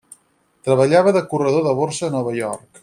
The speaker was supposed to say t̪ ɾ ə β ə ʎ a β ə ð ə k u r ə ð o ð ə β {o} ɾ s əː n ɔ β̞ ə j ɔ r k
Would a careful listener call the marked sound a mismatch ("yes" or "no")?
no